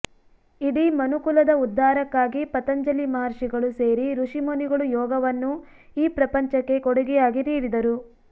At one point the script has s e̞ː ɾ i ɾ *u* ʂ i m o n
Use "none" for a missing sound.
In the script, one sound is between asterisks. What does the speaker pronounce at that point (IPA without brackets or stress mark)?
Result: u